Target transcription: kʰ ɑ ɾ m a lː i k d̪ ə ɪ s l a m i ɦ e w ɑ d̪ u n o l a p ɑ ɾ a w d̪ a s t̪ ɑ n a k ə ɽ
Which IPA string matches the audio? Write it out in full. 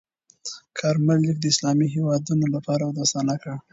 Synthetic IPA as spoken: kʰ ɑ ɾ m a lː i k d̪ ə ɪ s l ɑ m i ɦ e w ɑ d̪ u n o l a p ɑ ɾ a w d̪ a s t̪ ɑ n a k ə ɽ